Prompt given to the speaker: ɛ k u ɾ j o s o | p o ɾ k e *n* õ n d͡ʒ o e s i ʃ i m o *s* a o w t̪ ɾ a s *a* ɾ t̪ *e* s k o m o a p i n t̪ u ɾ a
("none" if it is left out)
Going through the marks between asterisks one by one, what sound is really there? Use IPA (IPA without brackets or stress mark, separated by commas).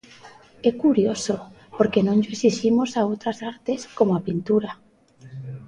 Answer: n, s, a, e